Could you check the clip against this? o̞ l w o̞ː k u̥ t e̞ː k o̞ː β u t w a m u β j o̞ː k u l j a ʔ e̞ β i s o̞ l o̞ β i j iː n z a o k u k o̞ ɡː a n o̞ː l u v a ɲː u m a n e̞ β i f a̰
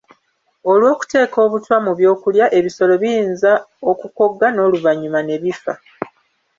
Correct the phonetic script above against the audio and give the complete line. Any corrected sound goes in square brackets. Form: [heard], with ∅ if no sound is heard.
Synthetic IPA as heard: o̞ l w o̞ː k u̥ t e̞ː k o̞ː β u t w a m u β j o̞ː k u l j a ʔ e̞ β i s o̞ l o̞ β i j iː n z a o k u k o̞ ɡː a n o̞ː l u v a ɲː u m a n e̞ β i f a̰